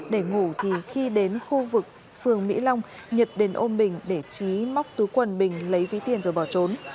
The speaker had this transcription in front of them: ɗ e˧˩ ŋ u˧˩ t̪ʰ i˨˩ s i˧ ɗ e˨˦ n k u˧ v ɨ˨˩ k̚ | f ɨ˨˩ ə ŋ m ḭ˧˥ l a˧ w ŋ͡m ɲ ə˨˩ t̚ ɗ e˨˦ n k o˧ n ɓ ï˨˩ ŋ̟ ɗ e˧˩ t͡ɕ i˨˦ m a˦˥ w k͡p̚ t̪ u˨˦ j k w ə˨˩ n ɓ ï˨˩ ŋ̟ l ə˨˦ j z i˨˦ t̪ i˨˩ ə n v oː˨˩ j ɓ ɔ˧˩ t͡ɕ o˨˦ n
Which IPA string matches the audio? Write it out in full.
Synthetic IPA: ɗ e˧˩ ŋ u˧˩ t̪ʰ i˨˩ x i˧ ɗ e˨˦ n x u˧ v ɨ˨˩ k̚ | f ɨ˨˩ ə ŋ m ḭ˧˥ l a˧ w ŋ͡m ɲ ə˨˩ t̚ ɗ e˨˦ n ʔ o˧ n ɓ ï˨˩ ŋ̟ ɗ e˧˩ t͡ɕ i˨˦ m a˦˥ w k͡p̚ t̪ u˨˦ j k w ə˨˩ n ɓ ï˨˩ ŋ̟ l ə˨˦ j v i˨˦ t̪ i˨˩ ə n z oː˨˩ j ɓ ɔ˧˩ t͡ɕ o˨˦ n